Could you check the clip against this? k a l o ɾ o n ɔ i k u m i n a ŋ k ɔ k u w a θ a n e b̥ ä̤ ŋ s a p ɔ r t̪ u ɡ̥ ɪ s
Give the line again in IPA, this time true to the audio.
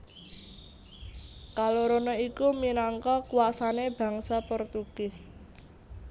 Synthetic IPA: k a l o ɾ o n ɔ i k u m i n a ŋ k ɔ k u w a s a n e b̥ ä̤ ŋ s a p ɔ r t̪ u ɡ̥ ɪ s